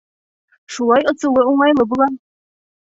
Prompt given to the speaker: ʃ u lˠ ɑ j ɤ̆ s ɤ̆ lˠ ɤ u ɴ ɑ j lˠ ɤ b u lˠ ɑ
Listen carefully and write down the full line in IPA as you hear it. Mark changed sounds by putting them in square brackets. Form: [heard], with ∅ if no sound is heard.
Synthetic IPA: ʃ u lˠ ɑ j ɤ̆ s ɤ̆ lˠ ɤ u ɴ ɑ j lˠ ɤ b u lˠ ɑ